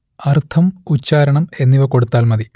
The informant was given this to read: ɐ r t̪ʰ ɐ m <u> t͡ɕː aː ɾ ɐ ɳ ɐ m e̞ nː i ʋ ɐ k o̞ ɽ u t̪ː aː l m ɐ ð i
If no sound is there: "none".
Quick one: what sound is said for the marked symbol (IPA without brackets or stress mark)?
u